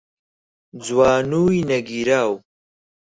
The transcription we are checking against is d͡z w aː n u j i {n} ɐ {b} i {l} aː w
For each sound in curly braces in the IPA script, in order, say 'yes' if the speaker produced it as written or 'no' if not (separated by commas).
yes, no, no